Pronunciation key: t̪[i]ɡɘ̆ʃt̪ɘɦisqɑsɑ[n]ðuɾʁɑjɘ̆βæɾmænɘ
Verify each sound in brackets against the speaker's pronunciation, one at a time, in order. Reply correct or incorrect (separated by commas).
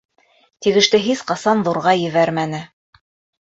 correct, correct